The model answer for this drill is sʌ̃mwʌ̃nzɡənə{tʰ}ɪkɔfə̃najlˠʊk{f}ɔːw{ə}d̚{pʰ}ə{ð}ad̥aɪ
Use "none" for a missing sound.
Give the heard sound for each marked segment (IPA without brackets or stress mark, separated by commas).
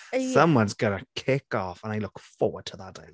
kʰ, f, ə, tʰ, ð